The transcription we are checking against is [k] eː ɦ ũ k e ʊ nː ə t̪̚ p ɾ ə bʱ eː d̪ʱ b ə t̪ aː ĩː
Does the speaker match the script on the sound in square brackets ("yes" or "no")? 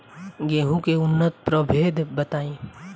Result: no